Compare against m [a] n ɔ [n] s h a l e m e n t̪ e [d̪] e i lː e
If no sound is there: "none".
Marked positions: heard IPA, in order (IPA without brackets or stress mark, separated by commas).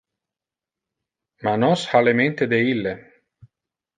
a, none, d̪